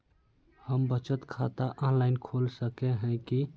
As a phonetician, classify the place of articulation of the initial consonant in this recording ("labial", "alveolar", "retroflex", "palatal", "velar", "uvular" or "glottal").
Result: glottal